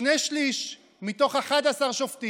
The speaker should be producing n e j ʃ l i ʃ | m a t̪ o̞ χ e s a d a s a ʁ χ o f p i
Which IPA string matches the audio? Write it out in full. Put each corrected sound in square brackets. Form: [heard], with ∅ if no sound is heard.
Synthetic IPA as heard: n e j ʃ l i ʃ | m [i] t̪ o̞ χ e [χ] a d a s a ʁ [ʃ] o f [t] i